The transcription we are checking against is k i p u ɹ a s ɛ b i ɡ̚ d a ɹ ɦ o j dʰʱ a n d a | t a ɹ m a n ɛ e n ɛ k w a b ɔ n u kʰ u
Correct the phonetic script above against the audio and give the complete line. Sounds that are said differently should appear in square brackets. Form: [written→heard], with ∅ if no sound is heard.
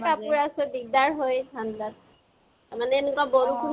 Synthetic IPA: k [i→a] p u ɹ a s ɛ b i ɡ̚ d a ɹ ɦ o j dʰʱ a n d a | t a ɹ m a n ɛ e n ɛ k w a b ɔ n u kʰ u